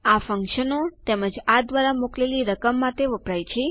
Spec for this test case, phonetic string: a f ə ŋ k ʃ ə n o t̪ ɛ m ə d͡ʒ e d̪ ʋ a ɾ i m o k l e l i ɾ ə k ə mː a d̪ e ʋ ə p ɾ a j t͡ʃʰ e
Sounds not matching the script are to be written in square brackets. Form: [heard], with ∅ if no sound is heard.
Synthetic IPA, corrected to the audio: a f ə ŋ k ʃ ə n o t̪ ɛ m ə d͡ʒ [a] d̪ ʋ a ɾ [a] m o k l e l i ɾ ə k ə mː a [t̪] e ʋ ə p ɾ a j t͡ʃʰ e